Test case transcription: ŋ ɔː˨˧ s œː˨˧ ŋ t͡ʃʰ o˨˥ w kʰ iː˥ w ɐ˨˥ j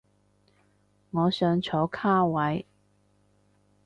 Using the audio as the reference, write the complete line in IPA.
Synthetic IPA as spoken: ŋ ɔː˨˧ s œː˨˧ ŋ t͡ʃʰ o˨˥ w kʰ aː˥ w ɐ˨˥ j